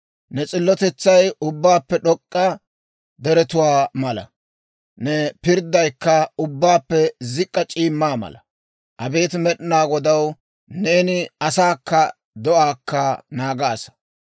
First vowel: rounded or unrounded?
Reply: unrounded